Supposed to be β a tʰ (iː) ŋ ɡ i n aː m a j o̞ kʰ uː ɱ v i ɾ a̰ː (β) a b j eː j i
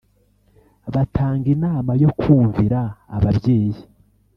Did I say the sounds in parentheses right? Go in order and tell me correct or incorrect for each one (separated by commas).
incorrect, correct